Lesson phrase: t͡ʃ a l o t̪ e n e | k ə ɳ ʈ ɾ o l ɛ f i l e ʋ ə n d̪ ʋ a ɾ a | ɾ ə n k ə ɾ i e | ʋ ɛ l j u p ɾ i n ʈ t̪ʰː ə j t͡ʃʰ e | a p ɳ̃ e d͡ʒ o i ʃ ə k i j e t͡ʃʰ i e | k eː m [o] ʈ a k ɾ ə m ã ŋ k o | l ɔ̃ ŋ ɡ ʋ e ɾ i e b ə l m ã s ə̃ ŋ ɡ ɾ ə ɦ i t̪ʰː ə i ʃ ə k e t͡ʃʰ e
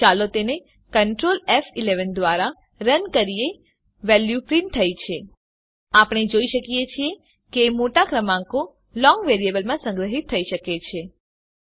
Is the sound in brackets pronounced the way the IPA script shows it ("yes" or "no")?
yes